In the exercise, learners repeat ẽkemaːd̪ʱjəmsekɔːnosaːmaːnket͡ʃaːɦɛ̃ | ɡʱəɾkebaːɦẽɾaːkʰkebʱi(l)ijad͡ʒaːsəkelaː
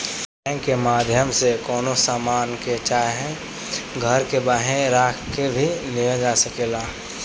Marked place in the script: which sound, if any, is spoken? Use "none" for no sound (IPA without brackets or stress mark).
l